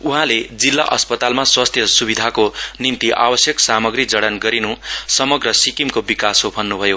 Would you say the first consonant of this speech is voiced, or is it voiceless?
voiced